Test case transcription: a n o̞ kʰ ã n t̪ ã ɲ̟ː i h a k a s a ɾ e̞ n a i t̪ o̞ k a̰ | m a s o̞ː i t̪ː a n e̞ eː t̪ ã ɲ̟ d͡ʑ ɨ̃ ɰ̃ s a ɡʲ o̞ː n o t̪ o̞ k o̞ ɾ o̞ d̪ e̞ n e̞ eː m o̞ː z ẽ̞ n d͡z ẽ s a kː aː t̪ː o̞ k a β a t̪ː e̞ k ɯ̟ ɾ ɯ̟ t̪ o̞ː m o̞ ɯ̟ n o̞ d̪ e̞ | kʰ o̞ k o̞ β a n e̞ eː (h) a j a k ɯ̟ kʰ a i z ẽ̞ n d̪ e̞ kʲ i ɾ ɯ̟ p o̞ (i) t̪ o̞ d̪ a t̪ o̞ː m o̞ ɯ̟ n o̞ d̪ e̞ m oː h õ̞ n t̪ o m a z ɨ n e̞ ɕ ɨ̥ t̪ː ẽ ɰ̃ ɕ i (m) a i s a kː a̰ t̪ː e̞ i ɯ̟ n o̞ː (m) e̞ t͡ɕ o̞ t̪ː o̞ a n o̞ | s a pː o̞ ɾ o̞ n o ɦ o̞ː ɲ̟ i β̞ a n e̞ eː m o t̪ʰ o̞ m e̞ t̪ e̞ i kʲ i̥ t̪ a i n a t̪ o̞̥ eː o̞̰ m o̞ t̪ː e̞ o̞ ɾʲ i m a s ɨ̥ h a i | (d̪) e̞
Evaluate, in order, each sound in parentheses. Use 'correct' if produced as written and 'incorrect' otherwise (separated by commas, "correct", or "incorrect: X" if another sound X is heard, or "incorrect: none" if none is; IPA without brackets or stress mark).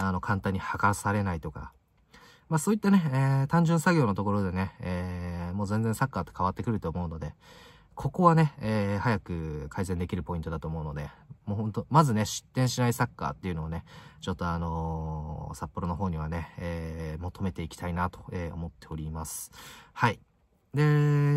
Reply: correct, incorrect: ĩ, incorrect: n, incorrect: n, correct